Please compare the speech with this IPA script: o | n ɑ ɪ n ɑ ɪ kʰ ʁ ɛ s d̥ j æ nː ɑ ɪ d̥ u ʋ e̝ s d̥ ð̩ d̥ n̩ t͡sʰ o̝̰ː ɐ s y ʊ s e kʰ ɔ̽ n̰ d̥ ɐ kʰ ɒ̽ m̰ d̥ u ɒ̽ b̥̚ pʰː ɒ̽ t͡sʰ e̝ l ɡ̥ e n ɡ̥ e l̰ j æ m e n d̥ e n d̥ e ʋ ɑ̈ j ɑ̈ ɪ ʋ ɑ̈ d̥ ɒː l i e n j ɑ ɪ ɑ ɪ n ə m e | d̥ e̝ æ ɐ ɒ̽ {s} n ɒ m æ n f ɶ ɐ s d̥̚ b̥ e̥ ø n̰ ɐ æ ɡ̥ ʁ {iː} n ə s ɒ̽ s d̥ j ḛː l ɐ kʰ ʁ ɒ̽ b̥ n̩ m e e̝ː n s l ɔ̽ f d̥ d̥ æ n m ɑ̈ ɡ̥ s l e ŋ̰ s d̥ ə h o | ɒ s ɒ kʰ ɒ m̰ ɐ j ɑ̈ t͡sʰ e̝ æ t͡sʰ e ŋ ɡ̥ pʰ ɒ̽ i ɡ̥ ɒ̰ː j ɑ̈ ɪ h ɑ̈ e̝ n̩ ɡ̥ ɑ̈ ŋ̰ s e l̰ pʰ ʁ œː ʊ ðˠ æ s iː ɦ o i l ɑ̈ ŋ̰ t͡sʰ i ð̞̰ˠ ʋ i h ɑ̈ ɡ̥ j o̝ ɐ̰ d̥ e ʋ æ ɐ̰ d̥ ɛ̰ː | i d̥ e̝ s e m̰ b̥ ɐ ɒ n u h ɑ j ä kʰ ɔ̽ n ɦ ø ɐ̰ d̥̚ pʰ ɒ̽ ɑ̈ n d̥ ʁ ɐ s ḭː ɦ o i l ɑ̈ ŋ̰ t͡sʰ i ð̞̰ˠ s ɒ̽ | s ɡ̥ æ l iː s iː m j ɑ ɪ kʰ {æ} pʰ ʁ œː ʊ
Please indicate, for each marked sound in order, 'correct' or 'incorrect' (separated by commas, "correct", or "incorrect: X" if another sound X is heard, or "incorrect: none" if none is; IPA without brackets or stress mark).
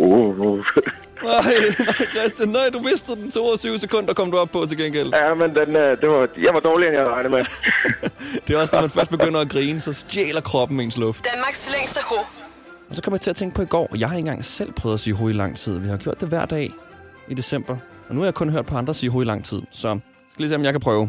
correct, correct, correct